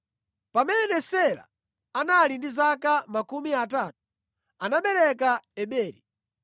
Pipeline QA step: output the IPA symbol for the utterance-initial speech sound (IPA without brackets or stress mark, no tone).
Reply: p